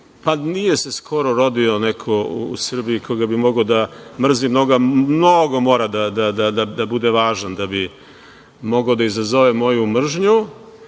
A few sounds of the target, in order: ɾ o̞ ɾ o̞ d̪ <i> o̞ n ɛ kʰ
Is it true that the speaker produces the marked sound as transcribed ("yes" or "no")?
yes